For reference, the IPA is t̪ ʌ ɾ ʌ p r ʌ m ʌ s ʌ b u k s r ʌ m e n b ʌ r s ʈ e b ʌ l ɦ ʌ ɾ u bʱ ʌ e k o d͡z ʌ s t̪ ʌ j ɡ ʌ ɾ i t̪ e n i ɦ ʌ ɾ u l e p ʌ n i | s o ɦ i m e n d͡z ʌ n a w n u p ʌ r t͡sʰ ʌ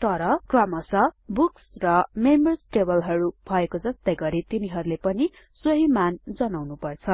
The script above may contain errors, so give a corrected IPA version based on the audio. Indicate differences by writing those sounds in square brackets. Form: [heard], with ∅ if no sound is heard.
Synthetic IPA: t̪ ʌ ɾ ʌ [k] r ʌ m ʌ s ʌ b u k s r ʌ m e [m] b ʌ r s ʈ e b ʌ l ɦ ʌ ɾ u bʱ ʌ e k o d͡z ʌ s t̪ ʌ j ɡ ʌ ɾ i t̪ [i] n i ɦ ʌ ɾ u l e p ʌ n i | s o ɦ i m [a] n d͡z ʌ n a w n u p ʌ r t͡sʰ ʌ